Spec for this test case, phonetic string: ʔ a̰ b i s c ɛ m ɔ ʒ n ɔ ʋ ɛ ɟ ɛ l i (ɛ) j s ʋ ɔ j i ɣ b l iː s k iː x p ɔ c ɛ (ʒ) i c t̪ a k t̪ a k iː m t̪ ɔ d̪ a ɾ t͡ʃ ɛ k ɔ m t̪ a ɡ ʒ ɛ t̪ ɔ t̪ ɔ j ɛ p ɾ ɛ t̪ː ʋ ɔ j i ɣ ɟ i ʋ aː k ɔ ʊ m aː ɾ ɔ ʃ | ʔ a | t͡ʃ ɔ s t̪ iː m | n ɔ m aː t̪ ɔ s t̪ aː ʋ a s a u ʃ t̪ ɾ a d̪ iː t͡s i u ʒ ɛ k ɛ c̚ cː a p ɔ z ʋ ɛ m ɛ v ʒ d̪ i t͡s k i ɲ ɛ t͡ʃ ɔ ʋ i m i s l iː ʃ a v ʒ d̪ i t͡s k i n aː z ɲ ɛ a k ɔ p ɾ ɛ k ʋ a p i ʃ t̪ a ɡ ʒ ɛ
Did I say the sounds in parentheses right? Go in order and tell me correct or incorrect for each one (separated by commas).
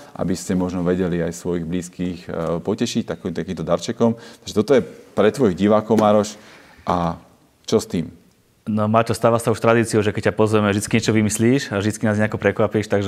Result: incorrect, incorrect